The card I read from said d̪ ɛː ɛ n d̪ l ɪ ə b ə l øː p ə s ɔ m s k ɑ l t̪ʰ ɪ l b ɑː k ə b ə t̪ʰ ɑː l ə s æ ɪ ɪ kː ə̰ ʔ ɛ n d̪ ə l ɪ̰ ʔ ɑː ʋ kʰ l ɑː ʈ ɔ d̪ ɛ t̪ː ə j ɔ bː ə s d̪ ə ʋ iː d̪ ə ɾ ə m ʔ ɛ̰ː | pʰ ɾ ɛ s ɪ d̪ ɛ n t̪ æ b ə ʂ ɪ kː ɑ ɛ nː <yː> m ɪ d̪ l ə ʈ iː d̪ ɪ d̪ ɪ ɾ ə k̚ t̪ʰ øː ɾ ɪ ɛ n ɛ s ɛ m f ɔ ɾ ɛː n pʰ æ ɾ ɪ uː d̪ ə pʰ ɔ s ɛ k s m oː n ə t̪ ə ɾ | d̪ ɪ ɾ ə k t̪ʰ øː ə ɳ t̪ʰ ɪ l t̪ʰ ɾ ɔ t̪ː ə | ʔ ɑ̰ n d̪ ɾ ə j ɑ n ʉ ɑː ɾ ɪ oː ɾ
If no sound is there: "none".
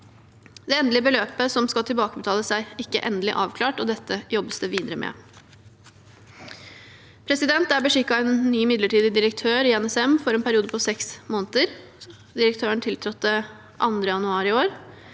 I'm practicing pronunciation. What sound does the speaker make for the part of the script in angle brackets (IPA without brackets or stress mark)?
yː